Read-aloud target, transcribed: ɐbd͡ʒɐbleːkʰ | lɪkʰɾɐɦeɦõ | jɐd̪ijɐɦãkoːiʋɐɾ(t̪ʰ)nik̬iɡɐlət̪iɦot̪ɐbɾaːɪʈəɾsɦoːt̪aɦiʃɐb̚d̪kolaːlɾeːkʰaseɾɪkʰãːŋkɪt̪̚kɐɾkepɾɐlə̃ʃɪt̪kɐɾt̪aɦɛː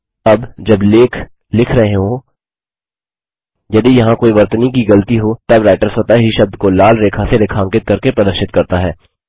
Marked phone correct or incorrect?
incorrect